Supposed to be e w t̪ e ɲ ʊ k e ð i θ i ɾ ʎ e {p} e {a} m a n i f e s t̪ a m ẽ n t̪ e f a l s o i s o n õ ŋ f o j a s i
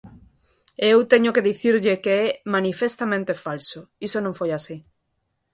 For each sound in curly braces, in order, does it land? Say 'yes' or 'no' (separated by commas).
no, no